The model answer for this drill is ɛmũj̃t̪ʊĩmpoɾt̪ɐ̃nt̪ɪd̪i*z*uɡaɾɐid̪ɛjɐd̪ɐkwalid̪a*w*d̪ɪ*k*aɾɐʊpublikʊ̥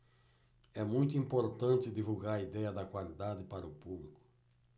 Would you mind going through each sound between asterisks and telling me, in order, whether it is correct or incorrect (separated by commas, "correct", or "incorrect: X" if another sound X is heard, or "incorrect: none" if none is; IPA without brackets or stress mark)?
incorrect: v, incorrect: none, incorrect: p